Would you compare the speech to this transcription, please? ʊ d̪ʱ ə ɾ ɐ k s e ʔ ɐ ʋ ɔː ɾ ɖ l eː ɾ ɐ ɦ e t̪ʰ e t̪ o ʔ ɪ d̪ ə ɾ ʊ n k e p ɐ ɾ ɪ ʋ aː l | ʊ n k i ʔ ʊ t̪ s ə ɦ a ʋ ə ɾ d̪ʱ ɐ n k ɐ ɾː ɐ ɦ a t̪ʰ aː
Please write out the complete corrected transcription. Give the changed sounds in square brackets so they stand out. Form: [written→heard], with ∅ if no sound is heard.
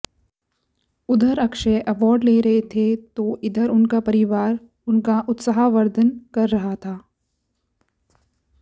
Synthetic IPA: ʊ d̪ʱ ə ɾ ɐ k [s→ʃ] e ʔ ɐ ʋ ɔː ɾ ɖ l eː ɾ ɐ ɦ e t̪ʰ e t̪ o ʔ ɪ d̪ ə ɾ ʊ n k [e→a] p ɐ ɾ ɪ ʋ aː [l→ɾ] | ʊ n k [i→a] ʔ ʊ t̪ s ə ɦ a ʋ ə ɾ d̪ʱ [ɐ→ə] n k ɐ ɾː ɐ ɦ a t̪ʰ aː